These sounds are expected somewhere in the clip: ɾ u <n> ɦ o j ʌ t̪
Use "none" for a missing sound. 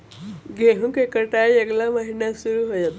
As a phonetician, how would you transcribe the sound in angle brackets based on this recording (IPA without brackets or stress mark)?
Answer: none